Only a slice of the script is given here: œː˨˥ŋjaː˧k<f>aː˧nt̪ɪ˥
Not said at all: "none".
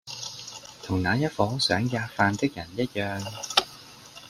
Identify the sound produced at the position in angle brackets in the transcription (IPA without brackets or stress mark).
f